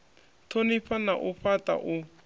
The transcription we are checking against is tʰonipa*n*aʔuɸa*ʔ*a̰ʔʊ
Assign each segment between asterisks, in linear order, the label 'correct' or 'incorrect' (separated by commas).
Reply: correct, incorrect